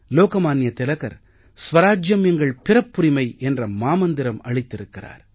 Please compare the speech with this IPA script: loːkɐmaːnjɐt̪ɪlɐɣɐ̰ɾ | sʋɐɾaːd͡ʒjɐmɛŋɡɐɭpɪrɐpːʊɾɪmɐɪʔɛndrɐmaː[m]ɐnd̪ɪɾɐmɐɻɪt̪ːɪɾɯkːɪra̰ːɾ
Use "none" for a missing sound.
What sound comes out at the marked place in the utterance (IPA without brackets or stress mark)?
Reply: m